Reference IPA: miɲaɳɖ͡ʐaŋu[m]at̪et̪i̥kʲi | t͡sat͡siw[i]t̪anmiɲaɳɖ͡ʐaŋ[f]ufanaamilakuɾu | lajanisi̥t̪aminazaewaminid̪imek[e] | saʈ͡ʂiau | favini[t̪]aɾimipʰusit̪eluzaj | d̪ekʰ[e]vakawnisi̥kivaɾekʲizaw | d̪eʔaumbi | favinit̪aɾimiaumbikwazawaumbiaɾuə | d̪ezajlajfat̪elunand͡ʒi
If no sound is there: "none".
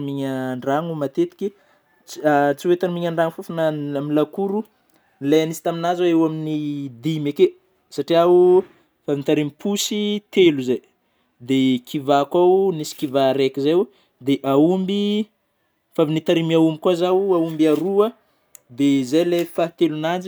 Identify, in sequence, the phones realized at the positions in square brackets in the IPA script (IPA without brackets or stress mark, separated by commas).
m, e, f, e, t̪, i